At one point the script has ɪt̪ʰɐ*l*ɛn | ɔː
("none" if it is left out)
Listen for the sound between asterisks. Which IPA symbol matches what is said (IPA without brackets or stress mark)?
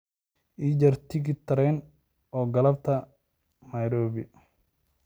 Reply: ɾ